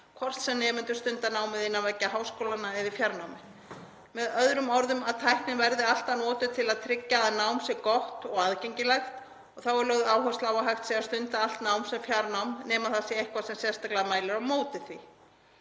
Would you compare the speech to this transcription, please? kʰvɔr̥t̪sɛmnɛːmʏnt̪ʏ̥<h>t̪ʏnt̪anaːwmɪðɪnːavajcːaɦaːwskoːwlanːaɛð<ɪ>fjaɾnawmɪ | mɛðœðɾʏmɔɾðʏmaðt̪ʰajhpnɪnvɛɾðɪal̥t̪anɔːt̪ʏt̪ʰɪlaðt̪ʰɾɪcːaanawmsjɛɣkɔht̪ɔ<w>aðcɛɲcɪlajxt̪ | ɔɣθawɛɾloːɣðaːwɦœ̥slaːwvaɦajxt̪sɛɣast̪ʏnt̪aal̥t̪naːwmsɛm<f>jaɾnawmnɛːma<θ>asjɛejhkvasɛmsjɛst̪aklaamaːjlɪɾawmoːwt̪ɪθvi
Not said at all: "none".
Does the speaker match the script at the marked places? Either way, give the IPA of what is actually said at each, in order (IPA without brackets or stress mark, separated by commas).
s, ɪ, ɣ, f, θ